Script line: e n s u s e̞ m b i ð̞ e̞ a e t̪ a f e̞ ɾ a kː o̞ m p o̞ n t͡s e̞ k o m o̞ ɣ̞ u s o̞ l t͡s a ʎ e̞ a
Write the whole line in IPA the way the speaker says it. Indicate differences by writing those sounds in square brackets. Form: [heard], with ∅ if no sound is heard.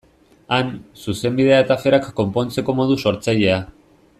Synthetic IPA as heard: [a] n s u s e̞ m b i ð̞ e̞ a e t̪ a f e̞ ɾ a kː o̞ m p o̞ n t͡s e̞ k o m o̞ [ð̞] u s o̞ [ɾ] t͡s a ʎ e̞ a